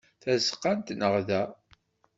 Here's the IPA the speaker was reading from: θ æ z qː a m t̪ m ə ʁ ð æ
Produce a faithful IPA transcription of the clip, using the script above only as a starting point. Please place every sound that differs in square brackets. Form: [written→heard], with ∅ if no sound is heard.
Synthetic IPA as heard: θ æ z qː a [m→n] t̪ [m→n] ə ʁ ð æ